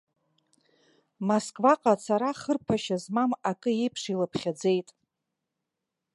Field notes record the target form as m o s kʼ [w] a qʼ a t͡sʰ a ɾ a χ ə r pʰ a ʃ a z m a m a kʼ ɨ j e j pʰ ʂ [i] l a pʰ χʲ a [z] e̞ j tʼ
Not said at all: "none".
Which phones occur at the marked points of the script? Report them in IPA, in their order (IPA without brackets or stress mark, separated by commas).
v, i, d͡z